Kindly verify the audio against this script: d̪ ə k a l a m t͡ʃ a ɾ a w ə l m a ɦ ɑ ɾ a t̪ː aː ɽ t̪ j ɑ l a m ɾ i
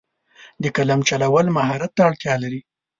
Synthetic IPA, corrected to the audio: d̪ ə k a l a m t͡ʃ a l a w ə l m a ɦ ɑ ɾ a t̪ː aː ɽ t̪ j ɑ l a ɾ i

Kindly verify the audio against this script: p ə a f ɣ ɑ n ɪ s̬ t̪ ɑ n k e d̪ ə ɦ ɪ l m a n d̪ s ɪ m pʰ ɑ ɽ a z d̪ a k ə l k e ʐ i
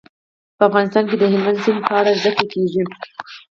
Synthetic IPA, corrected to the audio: p ə a f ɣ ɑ n ɪ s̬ t̪ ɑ n k e d̪ ə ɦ ɪ l m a n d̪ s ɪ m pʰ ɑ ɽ a z d̪ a k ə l k e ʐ i

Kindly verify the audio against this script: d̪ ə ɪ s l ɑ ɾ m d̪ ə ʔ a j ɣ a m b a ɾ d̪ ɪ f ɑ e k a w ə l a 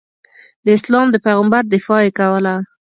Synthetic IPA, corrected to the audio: d̪ ə ɪ s l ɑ m d̪ ə p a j ɣ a m b a ɾ d̪ ɪ f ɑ e k a w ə l a

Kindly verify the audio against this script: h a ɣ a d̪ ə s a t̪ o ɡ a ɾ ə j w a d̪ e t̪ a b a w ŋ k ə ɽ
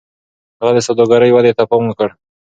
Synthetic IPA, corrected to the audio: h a ɣ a d̪ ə s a d̪ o ɡ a ɾ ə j w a d̪ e t̪ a p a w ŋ k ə ɽ

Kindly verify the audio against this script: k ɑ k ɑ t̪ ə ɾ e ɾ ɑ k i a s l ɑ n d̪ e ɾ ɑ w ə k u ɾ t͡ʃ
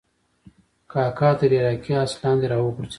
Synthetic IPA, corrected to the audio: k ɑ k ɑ t̪ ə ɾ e ɾ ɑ k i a s l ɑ n d̪ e ɾ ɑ w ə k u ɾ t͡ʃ

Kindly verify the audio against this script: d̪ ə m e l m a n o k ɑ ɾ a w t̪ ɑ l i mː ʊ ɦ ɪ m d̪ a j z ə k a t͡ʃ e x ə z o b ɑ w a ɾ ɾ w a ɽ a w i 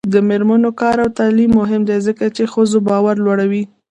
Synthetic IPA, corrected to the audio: d̪ ə m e ɾ m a n o k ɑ ɾ a w t̪ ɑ l i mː ʊ ɦ ɪ m d̪ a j z ə k a t͡ʃ e x ə z o b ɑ w a ɾ l w a ɽ a w i

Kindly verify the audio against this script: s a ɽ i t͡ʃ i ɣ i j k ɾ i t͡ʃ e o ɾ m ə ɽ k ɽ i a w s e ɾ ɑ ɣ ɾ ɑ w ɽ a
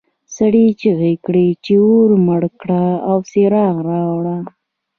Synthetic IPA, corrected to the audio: s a ɽ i t͡ʃ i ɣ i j k ɽ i t͡ʃ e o ɾ m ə ɽ k ɽ a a w s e ɾ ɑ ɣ ɾ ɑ w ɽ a

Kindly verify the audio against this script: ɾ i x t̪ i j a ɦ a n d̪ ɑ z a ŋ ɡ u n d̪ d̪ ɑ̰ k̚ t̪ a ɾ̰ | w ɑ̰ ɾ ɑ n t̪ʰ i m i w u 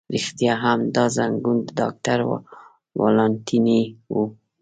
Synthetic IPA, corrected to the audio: ɾ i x t̪ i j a ɦ a m d̪ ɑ z a ŋ ɡ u n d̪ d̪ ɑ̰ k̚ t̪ a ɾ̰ | w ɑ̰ l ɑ n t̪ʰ i n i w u

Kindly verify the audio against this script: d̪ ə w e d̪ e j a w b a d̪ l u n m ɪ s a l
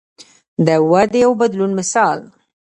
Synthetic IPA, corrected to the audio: d̪ ə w a d̪ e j a w b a d̪ l u n m ɪ s ɑ l

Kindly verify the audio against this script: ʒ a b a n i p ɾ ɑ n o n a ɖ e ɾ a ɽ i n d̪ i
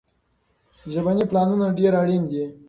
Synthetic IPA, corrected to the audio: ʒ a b a n i p l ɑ n u n a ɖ e ɾ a ɽ i n d̪ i

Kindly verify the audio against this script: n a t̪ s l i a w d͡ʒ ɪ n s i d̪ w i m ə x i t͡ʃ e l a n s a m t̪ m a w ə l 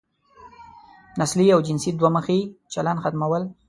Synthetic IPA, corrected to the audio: n a s l i a w d͡ʒ ɪ n s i d̪ w a m ə x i t͡ʃ a l a n x a t̪ m a w ə l

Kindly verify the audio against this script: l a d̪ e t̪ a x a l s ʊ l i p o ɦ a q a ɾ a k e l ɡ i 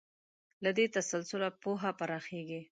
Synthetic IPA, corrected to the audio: l a d̪ e t̪ a s a l s ʊ l a p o ɦ a p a ɾ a x e ɡ i

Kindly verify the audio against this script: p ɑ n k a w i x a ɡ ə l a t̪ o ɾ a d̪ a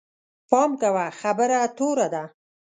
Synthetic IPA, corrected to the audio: p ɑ m k a w a x a b ə ɾ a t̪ o ɾ a d̪ a

